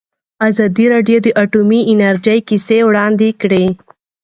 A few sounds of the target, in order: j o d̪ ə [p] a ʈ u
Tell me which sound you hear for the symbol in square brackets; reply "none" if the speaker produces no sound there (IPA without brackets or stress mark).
ʔ